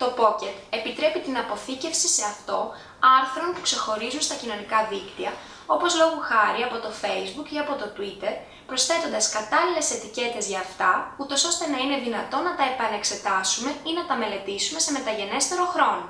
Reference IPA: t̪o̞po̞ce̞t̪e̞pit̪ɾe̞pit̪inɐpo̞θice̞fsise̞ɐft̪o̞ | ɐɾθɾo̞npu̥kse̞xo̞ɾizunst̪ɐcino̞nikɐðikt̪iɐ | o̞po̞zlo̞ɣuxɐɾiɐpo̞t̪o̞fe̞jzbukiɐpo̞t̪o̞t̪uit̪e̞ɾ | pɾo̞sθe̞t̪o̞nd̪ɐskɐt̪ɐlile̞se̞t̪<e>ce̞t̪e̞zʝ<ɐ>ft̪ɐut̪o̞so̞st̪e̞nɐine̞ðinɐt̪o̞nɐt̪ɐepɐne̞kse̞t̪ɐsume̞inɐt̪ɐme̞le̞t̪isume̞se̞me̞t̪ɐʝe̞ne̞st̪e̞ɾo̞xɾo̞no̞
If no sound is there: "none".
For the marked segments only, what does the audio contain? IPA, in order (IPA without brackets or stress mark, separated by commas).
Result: i, ɐː